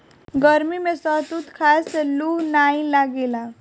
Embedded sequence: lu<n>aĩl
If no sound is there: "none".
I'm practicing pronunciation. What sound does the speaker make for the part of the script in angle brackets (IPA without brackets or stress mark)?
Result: n